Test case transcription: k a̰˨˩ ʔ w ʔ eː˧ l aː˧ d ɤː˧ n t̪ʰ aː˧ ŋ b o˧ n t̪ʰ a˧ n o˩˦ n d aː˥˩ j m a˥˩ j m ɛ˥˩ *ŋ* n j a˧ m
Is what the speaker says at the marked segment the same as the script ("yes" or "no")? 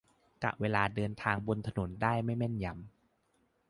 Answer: no